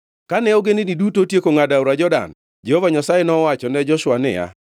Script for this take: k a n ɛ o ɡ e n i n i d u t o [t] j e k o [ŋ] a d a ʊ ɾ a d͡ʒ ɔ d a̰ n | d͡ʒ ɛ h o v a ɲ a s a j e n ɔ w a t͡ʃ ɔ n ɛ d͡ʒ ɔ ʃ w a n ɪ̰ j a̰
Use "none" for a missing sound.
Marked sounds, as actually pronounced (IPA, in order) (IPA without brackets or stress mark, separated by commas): t, ŋ